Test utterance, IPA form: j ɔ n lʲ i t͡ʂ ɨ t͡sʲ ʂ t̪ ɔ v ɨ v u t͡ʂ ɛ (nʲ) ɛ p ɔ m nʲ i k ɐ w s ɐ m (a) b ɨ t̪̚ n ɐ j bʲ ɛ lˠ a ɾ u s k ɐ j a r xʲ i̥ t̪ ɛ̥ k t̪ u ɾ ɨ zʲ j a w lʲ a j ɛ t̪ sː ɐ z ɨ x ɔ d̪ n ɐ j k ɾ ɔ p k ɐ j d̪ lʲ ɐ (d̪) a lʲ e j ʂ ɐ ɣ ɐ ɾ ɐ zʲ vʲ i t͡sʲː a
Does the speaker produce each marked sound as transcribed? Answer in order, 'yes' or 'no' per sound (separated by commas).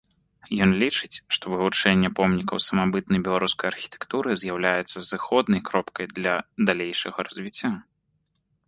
no, yes, yes